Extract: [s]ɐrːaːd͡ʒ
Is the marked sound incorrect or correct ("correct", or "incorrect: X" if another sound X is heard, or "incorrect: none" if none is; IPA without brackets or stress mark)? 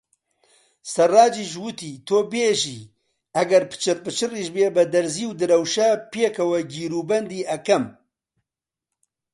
correct